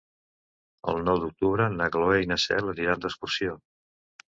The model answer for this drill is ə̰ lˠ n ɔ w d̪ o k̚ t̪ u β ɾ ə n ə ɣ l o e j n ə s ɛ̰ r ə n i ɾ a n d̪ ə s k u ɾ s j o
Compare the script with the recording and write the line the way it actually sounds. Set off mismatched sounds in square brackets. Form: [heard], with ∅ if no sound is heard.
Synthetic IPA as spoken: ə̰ lˠ n ɔ w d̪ [u] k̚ t̪ u β ɾ ə n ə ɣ l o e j n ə s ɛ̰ [l] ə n i ɾ a n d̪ ə s k u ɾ s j o